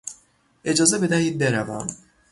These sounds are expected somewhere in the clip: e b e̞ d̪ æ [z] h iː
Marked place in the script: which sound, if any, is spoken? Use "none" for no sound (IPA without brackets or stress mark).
none